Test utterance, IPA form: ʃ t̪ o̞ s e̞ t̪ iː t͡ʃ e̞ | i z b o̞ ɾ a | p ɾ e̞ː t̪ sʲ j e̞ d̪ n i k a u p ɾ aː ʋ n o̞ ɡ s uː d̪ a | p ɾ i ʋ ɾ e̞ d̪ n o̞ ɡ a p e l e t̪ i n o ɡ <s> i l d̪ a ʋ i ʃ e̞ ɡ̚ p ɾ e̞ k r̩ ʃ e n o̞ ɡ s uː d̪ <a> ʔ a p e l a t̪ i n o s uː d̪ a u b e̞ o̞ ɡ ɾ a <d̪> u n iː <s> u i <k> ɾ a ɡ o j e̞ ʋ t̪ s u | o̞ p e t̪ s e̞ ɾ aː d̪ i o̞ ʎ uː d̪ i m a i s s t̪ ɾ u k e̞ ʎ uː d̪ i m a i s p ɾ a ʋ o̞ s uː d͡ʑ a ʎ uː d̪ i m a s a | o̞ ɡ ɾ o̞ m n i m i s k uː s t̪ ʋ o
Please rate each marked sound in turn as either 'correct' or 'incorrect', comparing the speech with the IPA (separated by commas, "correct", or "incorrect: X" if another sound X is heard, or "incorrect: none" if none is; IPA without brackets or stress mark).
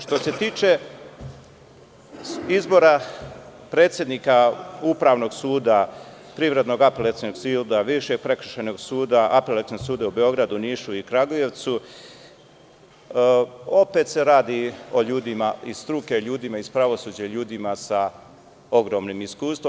correct, correct, correct, incorrect: ʃ, correct